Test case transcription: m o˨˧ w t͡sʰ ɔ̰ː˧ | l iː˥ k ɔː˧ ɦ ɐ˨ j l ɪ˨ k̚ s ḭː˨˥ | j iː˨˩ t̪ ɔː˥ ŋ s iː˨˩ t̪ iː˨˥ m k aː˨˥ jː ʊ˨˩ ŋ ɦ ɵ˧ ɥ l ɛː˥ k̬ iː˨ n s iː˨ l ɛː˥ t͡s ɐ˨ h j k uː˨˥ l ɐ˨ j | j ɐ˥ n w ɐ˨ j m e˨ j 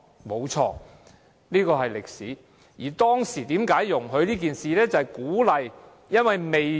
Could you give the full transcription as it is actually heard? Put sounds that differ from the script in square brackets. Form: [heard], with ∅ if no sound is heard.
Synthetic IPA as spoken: m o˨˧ w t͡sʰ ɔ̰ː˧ | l iː˥ k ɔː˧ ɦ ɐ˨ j l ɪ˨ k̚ s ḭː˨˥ | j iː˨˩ t̪ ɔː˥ ŋ s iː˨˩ t̪ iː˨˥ m k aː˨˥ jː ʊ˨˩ ŋ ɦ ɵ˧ ɥ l [iː˥] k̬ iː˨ n s iː˨ l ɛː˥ t͡s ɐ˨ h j k uː˨˥ l ɐ˨ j | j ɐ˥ n w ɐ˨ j m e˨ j